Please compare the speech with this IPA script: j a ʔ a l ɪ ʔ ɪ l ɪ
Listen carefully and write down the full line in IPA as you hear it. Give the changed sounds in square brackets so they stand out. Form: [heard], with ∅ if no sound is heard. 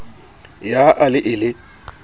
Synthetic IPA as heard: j a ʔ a l ɪ ʔ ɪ l ɪ